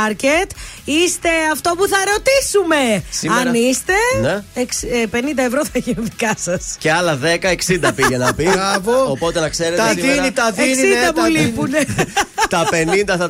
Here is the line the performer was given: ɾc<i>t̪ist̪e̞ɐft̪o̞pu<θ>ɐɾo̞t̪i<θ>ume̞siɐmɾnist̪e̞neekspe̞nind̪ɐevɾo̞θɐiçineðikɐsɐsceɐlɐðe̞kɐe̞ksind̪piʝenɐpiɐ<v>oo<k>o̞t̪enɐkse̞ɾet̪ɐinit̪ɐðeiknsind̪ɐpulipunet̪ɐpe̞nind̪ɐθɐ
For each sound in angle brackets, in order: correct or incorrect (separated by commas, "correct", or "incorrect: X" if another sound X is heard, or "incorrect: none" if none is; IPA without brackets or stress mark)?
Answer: incorrect: e, correct, incorrect: s, correct, incorrect: p